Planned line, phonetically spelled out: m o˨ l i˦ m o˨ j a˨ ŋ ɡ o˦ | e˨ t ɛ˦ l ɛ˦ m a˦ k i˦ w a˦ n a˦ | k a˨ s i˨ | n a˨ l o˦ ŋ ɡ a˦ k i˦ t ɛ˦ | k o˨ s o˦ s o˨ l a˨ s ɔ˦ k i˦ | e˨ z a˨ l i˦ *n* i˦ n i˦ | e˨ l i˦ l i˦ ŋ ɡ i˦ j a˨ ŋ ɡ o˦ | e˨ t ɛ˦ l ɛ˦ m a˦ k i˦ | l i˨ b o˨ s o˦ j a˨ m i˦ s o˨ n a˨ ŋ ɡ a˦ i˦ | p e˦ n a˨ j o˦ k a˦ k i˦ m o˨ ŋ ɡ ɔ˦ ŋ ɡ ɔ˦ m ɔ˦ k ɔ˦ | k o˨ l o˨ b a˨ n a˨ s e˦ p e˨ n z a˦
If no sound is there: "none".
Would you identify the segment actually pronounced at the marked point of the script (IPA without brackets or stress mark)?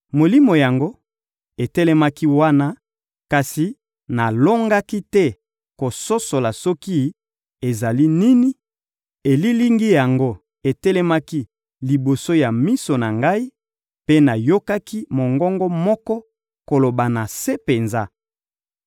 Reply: n